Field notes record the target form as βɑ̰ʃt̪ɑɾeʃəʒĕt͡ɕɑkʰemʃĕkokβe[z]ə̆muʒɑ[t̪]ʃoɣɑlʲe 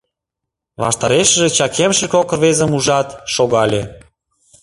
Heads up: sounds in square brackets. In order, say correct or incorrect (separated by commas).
correct, correct